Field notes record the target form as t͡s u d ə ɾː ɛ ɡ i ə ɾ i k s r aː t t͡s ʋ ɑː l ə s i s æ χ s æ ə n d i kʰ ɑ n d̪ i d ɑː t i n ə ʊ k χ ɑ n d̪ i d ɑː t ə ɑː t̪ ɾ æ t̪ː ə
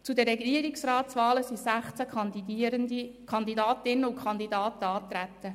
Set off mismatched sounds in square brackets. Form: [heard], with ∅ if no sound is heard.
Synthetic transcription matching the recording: t͡s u d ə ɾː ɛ ɡ i ə ɾ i k s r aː t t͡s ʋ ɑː l ə s i s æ χ [t͡s] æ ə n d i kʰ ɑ n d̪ i d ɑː t [ɪ] n ə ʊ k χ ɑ n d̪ i d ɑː t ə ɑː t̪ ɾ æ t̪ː ə